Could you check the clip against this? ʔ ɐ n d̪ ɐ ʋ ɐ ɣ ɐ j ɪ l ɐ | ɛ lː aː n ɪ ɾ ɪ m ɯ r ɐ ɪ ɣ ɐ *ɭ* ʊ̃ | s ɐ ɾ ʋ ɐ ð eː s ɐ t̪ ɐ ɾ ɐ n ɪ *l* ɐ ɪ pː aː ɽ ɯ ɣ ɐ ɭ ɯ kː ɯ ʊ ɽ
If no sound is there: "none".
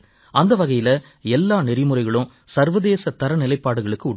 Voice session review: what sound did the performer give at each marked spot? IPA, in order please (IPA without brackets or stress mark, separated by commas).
ɭ, l